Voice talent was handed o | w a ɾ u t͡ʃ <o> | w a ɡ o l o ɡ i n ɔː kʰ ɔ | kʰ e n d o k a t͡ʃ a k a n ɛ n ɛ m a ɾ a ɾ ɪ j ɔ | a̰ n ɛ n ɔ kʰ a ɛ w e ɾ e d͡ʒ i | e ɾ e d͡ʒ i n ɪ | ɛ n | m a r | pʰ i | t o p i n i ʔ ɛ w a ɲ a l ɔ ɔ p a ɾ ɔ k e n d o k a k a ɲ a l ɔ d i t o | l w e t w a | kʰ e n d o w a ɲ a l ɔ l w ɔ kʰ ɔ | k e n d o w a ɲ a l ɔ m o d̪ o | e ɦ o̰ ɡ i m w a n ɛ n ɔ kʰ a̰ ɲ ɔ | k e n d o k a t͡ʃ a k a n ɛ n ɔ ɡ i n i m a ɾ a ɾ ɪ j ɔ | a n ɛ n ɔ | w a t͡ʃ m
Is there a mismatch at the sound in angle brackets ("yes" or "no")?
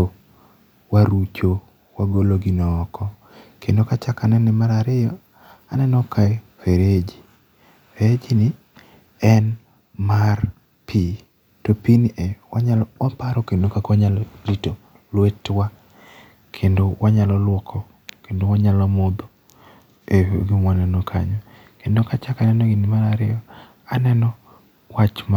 no